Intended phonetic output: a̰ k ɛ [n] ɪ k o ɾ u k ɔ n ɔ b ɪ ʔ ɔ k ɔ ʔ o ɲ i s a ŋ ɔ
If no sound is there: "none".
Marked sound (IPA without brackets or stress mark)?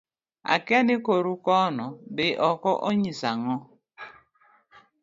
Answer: n